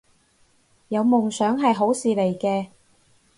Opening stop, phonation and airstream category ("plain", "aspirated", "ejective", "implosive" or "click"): plain